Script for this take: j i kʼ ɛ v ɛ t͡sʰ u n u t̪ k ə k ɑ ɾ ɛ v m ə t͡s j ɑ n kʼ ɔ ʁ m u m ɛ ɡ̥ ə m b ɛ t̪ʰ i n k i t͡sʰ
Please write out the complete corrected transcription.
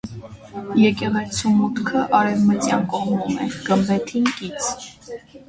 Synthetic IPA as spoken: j ɛ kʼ ɛ ʁ ɛ t͡sʰ u m u t̪ kʰ ə ʔ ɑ ɾ ɛ v m ə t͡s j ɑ n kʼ ɔ ʁ m u m ɛ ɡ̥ ə m b ɛ t̪ʰ i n k i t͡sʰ